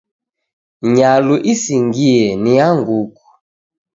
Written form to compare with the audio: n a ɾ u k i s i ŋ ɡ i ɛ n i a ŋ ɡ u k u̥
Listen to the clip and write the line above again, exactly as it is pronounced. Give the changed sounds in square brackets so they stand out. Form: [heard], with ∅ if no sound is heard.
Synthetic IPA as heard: [ɲ] a [l] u [ʔ] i s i ŋ ɡ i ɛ n i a ŋ ɡ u k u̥